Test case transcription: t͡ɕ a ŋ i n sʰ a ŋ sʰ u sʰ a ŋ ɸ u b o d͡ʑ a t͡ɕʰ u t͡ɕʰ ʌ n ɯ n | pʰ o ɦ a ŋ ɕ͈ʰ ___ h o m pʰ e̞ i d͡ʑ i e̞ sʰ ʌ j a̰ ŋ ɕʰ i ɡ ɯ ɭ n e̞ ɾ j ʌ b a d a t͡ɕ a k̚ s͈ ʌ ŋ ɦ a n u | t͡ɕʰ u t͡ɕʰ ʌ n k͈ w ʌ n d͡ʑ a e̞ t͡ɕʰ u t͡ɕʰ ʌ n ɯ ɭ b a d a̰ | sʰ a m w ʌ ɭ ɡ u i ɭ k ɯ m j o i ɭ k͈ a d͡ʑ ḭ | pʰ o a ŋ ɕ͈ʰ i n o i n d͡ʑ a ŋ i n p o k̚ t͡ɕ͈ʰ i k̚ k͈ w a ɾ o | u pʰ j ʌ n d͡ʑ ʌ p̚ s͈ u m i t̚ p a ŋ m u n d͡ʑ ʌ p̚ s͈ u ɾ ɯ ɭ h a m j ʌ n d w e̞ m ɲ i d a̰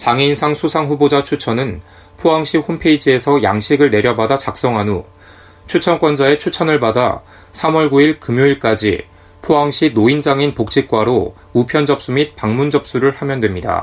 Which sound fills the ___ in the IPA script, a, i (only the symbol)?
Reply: i